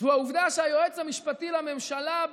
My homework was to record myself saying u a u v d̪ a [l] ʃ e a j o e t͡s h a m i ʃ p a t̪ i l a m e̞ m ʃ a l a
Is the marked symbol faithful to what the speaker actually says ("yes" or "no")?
no